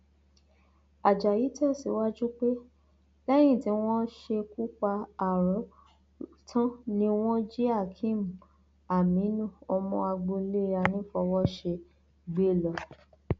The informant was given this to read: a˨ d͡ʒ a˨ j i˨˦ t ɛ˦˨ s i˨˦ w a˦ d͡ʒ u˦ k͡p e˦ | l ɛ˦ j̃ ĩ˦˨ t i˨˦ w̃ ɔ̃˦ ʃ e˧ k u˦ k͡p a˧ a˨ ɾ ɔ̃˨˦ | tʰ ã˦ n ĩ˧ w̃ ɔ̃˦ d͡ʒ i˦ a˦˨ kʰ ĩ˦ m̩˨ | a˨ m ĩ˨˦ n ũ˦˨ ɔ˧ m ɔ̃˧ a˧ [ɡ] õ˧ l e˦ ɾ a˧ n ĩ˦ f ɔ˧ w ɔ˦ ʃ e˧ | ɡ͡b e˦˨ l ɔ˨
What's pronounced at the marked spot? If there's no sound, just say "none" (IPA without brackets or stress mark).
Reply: ɡ͡b